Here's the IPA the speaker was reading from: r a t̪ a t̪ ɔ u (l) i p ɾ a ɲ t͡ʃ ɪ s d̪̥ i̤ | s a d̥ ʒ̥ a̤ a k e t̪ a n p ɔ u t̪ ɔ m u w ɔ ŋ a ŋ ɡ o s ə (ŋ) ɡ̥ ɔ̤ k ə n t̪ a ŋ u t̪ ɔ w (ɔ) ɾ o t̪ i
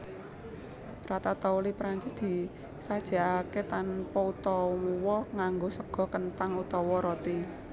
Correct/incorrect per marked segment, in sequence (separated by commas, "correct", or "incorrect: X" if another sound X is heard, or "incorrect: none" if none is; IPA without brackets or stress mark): correct, incorrect: none, correct